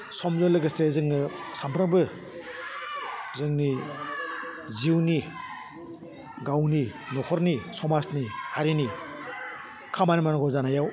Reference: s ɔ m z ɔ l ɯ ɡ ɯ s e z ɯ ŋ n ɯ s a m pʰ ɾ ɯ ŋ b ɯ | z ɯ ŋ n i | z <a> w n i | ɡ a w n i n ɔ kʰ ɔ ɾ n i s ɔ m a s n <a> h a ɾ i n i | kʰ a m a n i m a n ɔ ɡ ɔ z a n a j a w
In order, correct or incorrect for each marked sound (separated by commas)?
incorrect, incorrect